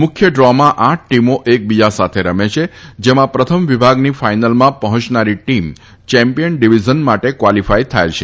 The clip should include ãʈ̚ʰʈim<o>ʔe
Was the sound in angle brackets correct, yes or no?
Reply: yes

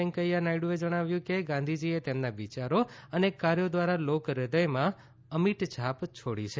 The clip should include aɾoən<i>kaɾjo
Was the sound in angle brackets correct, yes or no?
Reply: no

